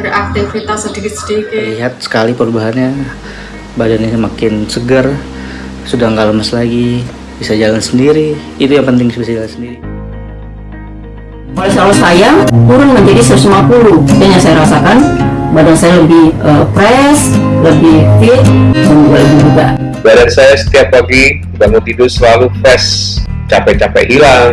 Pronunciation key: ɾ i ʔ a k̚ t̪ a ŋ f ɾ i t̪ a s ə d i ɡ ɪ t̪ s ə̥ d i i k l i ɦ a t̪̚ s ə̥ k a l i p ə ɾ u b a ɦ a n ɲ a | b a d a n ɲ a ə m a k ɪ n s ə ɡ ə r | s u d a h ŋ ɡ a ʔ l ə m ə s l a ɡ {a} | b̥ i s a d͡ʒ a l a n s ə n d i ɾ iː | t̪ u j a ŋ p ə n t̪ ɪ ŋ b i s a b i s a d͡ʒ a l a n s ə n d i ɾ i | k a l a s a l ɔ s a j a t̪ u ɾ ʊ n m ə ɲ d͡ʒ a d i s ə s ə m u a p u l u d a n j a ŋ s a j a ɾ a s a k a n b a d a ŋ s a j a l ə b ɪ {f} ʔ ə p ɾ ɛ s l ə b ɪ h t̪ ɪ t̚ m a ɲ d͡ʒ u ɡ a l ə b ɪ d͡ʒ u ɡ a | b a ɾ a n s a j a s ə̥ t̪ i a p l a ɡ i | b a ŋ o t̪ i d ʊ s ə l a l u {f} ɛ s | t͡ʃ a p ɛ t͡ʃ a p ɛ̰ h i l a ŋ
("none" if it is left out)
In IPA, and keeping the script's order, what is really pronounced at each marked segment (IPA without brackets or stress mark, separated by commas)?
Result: i, h, f